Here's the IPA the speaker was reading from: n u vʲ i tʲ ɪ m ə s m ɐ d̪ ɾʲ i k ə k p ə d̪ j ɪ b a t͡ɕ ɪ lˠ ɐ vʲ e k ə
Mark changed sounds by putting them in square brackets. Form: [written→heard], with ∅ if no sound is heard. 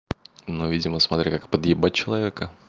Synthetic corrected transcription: n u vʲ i [tʲ→dʲ] ɪ m ə s m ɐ [d̪→t̪] ɾʲ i k [ə→a] k p ə d̪ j ɪ b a t͡ɕ ɪ lˠ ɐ vʲ e k ə